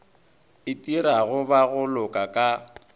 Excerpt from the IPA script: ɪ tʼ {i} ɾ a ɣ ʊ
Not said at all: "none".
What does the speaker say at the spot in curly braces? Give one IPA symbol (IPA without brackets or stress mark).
i